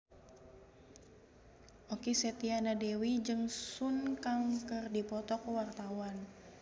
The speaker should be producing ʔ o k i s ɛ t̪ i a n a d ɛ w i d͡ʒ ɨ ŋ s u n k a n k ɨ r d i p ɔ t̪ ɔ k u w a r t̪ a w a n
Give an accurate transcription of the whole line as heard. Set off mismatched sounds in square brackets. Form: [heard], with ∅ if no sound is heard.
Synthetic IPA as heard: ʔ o k i s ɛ t̪ i a n a d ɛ w i d͡ʒ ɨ ŋ s u n k a [ŋ] k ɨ r d i p ɔ t̪ ɔ k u w a r t̪ a w a n